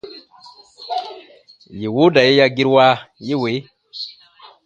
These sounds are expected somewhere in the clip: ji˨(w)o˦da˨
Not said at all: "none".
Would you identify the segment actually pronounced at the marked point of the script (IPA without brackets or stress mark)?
w